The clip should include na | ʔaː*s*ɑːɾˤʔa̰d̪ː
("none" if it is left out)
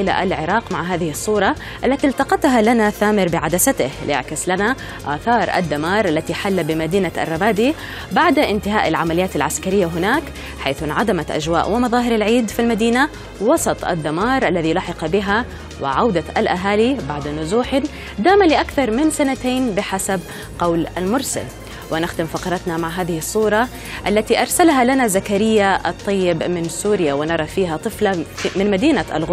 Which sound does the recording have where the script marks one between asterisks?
θ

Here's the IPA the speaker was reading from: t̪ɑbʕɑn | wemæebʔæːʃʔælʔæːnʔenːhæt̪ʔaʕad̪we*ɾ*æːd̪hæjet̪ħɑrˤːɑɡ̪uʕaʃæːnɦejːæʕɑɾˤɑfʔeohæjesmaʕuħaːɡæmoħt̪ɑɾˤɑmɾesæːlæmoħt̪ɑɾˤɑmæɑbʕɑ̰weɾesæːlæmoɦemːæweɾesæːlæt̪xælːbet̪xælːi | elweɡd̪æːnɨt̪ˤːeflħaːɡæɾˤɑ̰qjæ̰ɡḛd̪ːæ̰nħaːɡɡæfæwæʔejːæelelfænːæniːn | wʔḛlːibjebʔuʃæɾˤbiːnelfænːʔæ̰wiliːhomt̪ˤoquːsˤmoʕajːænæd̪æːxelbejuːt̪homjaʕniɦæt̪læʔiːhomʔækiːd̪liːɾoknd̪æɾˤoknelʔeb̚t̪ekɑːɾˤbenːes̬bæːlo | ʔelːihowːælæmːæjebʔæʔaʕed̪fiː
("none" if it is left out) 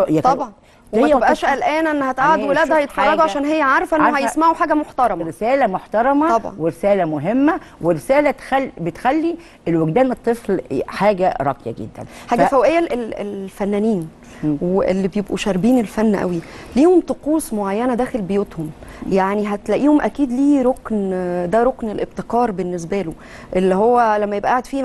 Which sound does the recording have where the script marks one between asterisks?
l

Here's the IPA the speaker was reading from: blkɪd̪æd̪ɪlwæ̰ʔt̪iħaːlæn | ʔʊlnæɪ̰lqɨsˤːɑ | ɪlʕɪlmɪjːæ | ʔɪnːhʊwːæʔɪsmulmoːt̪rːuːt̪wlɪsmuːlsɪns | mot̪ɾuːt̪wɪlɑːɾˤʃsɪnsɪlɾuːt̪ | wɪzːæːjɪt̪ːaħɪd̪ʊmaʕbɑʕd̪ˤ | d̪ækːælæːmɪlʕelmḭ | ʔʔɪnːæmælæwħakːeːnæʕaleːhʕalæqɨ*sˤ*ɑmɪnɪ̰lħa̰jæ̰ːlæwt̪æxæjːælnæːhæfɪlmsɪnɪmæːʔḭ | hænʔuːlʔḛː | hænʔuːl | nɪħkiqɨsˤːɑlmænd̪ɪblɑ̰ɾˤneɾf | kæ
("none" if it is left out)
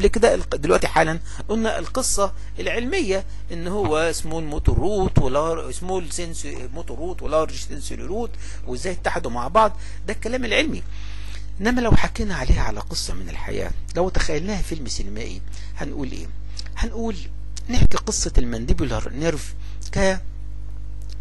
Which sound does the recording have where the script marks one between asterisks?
sˤː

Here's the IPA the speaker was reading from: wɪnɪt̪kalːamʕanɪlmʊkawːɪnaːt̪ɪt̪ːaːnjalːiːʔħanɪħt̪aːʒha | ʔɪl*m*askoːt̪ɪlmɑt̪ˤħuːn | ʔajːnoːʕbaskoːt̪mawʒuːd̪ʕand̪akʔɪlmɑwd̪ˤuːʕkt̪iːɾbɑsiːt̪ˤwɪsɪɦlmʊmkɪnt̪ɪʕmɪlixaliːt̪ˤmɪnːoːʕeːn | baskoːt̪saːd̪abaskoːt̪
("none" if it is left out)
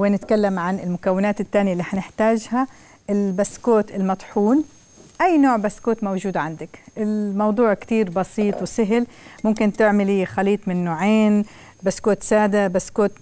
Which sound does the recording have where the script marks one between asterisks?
b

